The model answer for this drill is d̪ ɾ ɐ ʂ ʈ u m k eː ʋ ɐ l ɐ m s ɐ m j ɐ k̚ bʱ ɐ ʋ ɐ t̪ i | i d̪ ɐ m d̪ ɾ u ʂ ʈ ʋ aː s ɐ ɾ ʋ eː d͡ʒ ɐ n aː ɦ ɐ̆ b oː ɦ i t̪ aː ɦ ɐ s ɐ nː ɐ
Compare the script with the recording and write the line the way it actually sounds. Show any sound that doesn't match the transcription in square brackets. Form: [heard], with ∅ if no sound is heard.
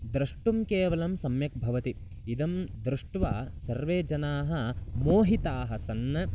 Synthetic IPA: d̪ ɾ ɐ ʂ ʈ u m k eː ʋ ɐ l ɐ m s ɐ m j ɐ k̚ bʱ ɐ ʋ ɐ t̪ i | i d̪ ɐ m d̪ ɾ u ʂ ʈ ʋ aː s ɐ ɾ ʋ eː d͡ʒ ɐ n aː ɦ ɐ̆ [m] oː ɦ i t̪ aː ɦ ɐ s ɐ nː ɐ